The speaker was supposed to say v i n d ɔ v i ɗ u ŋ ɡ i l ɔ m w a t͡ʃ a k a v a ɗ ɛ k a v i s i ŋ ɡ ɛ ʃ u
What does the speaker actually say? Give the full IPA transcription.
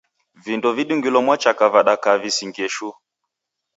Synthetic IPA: v i n d ɔ v i ɗ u ŋ ɡ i l ɔ m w a t͡ʃ a k a v a ɗ a k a v i s i ŋ ɡ ɛ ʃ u